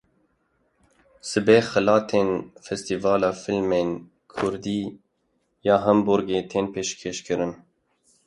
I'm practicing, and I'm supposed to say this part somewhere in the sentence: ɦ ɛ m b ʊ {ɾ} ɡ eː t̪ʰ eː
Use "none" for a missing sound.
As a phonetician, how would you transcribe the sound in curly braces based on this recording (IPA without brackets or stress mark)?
ɾ